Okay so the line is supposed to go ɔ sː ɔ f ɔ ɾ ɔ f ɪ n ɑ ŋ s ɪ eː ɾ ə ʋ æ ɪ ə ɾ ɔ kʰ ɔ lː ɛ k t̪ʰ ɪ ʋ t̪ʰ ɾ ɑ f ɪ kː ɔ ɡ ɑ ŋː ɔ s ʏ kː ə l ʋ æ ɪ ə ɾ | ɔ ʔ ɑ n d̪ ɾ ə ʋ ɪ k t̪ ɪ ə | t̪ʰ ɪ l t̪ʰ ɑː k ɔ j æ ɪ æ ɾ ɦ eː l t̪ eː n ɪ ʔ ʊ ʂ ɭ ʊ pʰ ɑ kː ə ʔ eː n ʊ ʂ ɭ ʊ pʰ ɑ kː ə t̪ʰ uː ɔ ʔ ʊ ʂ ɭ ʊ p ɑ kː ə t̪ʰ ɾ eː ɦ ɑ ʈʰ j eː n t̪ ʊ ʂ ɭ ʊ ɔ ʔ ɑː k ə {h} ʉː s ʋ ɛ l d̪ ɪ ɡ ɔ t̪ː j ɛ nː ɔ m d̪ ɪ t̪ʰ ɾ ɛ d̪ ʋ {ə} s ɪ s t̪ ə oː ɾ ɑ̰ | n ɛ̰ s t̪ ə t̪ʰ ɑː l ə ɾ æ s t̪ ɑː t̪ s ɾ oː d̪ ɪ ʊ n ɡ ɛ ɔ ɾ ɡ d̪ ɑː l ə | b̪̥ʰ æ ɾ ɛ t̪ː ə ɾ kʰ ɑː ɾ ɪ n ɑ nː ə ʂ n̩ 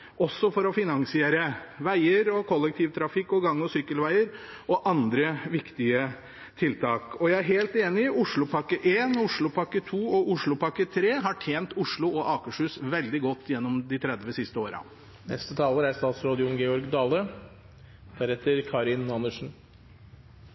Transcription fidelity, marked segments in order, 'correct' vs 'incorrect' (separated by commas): incorrect, correct